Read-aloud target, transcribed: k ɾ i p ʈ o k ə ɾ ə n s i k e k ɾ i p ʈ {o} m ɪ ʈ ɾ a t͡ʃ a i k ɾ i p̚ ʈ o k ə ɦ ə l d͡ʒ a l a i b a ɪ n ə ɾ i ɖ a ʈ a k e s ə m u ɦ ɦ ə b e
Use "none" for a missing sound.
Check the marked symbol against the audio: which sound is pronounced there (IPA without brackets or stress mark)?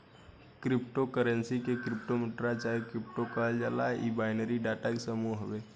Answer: o